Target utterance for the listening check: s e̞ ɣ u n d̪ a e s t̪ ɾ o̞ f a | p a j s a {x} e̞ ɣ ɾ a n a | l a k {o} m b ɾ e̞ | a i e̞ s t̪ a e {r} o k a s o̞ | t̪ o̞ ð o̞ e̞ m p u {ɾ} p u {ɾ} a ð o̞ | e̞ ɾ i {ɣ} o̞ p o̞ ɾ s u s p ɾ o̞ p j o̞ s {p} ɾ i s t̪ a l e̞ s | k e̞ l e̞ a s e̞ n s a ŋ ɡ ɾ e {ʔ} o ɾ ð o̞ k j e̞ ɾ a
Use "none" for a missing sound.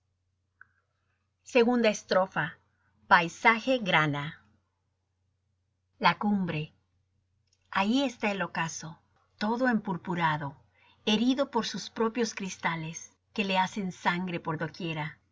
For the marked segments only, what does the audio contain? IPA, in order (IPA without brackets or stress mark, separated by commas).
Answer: x, u, l, ɾ, ɾ, ð, k, p